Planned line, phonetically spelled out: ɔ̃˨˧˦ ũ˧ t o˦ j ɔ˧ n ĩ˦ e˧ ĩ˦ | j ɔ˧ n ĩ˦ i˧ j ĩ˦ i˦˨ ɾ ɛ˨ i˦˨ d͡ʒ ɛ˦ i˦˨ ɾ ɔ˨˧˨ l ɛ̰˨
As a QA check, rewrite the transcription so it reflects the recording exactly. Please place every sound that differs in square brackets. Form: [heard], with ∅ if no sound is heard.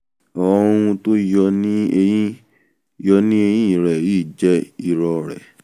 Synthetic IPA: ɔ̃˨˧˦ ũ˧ t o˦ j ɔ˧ n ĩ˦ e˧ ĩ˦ | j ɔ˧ n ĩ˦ [e˧] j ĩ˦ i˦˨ ɾ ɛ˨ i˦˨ d͡ʒ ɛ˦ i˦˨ ɾ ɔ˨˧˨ [ɾ] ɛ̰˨